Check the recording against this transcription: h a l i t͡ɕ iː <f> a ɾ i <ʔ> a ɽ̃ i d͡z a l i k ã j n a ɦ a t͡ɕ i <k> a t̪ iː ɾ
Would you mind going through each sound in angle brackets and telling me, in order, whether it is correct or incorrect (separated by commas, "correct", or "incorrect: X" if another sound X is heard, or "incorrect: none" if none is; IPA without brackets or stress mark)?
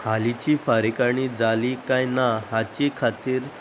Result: correct, incorrect: k, incorrect: kʰ